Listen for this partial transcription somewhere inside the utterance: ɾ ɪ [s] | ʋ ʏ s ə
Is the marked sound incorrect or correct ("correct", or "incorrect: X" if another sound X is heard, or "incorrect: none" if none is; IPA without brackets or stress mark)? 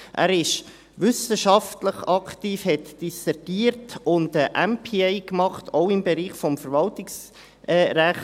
incorrect: ʃ